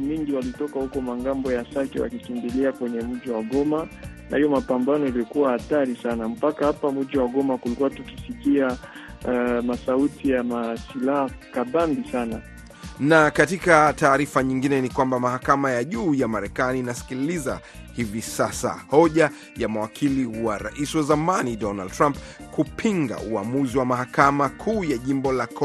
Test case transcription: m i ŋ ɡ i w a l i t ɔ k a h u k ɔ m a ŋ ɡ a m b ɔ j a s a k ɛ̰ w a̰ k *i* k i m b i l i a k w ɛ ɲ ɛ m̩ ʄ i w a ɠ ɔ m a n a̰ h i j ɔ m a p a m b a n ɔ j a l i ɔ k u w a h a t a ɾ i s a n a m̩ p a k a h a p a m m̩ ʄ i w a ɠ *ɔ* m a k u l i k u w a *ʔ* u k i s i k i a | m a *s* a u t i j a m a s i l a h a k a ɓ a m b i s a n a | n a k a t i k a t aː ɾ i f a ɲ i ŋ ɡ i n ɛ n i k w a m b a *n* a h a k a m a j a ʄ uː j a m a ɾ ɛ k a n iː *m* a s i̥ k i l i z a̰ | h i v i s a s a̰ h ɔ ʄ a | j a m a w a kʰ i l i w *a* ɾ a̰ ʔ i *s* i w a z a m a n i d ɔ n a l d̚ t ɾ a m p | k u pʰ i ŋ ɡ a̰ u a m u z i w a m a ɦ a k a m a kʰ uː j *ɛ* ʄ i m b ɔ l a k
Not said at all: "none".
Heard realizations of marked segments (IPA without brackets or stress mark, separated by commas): i, ɔ, t, s, m, n, a, s, a